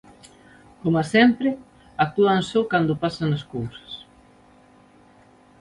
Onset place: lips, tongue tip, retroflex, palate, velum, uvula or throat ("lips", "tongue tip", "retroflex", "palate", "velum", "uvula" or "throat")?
velum